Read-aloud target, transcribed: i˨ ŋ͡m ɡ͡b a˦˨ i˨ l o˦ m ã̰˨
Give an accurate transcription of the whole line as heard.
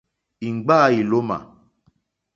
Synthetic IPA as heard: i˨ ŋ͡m ɡ͡b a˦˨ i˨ l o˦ m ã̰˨